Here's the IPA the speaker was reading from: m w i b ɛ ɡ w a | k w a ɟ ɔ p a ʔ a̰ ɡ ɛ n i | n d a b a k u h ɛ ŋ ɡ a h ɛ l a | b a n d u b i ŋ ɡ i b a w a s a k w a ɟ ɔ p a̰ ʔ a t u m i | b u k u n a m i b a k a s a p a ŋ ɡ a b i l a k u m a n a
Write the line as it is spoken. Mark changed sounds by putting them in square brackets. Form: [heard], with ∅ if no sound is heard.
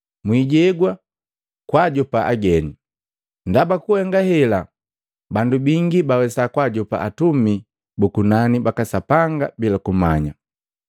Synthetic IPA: m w i [ɟ] ɛ ɡ w a | k w a ɟ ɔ p a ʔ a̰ ɡ ɛ n i | n d a b a k u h ɛ ŋ ɡ a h ɛ l a | b a n d u b i ŋ ɡ i b a w [ɛ] s a k w a ɟ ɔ p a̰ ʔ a t u m i | b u k u n a [n] i b a k a s a p a ŋ ɡ a b i l a k u m a [ɲ] a